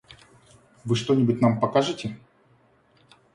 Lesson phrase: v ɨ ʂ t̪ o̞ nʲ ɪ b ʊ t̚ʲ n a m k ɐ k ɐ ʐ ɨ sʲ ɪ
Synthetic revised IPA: v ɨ ʂ t̪ o̞ nʲ ɪ b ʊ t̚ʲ n a m p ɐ k a ʐ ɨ tʲ ɪ